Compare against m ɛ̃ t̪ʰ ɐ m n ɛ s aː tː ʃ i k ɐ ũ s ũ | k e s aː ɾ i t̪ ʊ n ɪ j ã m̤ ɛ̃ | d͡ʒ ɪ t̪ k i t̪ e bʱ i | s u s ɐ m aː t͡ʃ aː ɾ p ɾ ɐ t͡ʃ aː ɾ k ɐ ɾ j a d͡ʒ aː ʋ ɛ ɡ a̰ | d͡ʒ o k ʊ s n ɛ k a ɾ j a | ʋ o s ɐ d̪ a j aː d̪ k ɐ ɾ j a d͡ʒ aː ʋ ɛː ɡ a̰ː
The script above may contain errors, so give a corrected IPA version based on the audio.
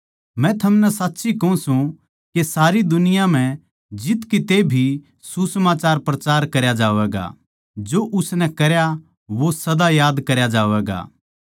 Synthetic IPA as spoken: m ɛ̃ t̪ʰ ɐ m n ɛ s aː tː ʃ i k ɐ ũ s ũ | k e s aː ɾ i d̪ ʊ n ɪ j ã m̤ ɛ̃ | d͡ʒ ɪ t̪ k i t̪ e bʱ i | s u s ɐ m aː t͡ʃ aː ɾ p ɾ ɐ t͡ʃ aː ɾ k ɐ ɾ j a d͡ʒ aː ʋ ɛ ɡ a̰ | d͡ʒ o ʔ ʊ s n ɛ k ɐ ɾ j a | ʋ o s ɐ d̪ a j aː d̪ k ɐ ɾ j a d͡ʒ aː ʋ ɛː ɡ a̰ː